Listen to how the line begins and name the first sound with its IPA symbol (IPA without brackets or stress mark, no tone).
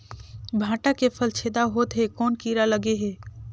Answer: bʱ